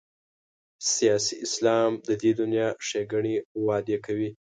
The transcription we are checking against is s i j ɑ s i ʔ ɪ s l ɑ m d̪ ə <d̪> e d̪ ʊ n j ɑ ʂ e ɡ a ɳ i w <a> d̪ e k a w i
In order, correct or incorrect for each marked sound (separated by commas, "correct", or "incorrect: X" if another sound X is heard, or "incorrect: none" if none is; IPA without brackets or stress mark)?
correct, incorrect: ɑ